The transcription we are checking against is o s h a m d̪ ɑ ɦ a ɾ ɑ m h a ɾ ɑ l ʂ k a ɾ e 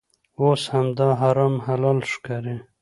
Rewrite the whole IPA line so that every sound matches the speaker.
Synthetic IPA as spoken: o s h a m d̪ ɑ ɦ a ɾ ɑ m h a l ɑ l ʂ k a ɾ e